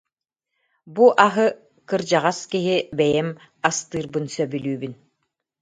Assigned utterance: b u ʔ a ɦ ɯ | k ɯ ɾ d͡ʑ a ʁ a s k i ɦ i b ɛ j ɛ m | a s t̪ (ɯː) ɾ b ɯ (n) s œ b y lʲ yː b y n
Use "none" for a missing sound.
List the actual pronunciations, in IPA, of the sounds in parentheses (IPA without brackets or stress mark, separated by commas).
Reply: ɯː, n